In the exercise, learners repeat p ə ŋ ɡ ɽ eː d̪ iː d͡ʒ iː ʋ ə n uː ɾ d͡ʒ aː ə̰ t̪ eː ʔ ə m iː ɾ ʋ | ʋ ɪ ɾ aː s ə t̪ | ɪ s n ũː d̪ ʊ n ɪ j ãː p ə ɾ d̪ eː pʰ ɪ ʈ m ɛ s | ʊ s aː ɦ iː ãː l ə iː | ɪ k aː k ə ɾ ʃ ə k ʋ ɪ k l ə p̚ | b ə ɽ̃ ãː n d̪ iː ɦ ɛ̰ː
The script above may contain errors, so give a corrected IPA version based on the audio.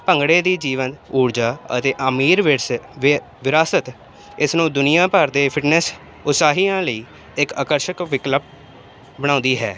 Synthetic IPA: p ə ŋ ɡ ɽ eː d̪ iː d͡ʒ iː ʋ ə n uː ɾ d͡ʒ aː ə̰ t̪ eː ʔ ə m iː ɾ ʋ | ʋ ɪ ɾ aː s ə t̪ | ɪ s n ũː d̪ ʊ n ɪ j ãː p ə ɾ d̪ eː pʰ ɪ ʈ n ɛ s | ʊ s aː ɦ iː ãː l ə iː | ɪ k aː k ə ɾ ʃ ə k ʋ ɪ k l ə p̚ | b ə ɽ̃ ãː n d̪ iː ɦ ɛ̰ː